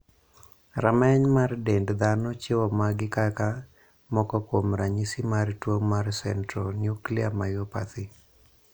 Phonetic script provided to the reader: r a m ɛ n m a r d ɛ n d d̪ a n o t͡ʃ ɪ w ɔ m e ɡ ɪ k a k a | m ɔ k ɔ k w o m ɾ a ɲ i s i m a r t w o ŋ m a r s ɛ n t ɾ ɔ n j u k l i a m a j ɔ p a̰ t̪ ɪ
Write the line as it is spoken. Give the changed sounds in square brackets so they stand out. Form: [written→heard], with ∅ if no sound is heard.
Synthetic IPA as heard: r a m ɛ [n→ɲ] m a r d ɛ n d d̪ a n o t͡ʃ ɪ w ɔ m [e→a] ɡ ɪ k a k a | m ɔ k ɔ k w o m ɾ a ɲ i s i m a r t w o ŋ m a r s ɛ n t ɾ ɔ n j u k l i a m a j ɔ p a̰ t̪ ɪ